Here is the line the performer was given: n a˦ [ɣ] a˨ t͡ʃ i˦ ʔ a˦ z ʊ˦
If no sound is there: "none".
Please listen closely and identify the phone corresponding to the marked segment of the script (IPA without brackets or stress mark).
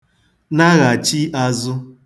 ɣ